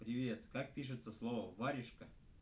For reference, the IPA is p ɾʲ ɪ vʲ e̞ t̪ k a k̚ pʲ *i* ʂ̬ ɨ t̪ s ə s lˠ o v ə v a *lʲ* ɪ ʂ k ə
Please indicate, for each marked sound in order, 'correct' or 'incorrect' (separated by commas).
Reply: correct, incorrect